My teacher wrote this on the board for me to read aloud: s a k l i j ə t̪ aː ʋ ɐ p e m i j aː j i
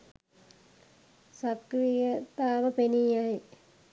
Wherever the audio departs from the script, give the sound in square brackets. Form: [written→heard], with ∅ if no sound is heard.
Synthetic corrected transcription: s [a→ɐ] k [l→r] i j [ə→ɐ] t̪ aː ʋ ɐ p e [m→n] i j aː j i

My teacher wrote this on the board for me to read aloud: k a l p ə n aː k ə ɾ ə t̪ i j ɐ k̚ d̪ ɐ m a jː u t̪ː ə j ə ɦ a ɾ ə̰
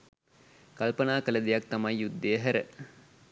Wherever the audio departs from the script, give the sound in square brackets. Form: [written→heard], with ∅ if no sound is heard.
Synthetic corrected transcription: k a l p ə n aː k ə [ɾ→l] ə [t̪→d̪] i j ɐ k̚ [d̪→t̪] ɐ m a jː u [t̪ː→d̪ː] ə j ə ɦ [a→æ] ɾ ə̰

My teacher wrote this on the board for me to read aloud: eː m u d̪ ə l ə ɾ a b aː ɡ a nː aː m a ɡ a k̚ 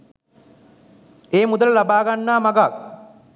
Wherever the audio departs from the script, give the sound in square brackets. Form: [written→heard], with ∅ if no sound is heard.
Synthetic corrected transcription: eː m u d̪ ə l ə [ɾ→l] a b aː ɡ a nː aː m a ɡ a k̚

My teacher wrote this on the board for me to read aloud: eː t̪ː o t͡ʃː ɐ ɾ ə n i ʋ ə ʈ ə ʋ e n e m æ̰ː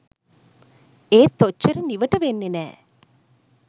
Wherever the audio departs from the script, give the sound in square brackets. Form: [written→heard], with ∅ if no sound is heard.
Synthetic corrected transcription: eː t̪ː o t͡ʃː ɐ ɾ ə n i ʋ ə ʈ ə ʋ e [n→nː] e [m→n] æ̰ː

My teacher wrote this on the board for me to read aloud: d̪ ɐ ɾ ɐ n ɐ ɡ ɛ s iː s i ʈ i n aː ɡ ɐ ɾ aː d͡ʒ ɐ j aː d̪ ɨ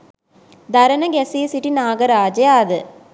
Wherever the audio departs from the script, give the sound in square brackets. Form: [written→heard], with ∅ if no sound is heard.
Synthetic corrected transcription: d̪ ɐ ɾ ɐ n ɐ ɡ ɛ s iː s i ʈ i n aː ɡ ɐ ɾ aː d͡ʒ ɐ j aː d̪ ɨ

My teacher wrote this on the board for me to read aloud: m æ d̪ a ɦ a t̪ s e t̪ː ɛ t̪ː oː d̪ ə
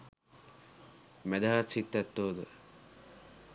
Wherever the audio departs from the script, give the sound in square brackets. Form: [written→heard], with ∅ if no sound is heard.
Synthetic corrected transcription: m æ d̪ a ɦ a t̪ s [e→i] t̪ː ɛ t̪ː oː d̪ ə

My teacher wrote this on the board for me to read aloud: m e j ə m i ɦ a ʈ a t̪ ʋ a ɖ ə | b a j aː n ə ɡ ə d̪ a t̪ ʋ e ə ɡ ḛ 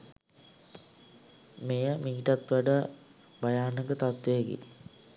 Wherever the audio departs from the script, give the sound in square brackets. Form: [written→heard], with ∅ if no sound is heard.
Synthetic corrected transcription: m e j ə m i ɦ [a→i] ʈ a t̪ ʋ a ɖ ə | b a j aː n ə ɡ ə [d̪→t̪] a t̪ ʋ e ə ɡ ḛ

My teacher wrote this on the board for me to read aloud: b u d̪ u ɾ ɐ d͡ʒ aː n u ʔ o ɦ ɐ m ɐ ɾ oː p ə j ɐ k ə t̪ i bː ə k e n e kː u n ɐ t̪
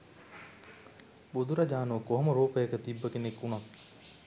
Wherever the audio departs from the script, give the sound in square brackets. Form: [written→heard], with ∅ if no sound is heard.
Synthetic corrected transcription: b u d̪ u ɾ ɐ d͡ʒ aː n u [ʔ→k] o ɦ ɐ m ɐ ɾ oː p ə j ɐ k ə t̪ i bː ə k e n e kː u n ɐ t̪

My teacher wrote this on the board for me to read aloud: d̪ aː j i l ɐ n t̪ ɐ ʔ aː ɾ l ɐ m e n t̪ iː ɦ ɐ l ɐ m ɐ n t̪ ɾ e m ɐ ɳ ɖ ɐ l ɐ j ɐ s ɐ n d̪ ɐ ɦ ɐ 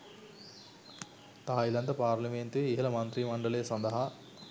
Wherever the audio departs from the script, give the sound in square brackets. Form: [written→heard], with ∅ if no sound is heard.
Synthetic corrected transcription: [d̪→t̪] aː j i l ɐ n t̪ ɐ [ʔ→p] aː ɾ l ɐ m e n t̪ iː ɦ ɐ l ɐ m ɐ n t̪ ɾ [e→i] m ɐ ɳ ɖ ɐ l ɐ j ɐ s ɐ n d̪ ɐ ɦ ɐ

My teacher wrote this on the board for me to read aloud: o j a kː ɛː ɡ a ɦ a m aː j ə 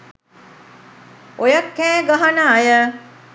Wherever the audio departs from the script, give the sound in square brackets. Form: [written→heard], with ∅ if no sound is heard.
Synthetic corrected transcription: o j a kː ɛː ɡ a ɦ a [m→n] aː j ə

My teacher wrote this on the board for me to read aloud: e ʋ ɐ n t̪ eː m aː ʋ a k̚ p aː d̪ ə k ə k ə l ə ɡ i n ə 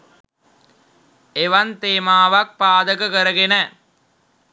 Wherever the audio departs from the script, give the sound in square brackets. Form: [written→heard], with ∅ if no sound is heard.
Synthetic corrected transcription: e ʋ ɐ n t̪ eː m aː ʋ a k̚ p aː d̪ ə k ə k ə [l→ɾ] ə ɡ [i→e] n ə

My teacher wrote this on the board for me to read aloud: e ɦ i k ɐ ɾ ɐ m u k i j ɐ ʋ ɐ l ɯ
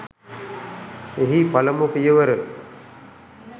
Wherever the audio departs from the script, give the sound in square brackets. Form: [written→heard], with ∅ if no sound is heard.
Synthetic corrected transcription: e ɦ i [k→p] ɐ [ɾ→l] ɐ m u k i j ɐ ʋ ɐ [l→ɾ] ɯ

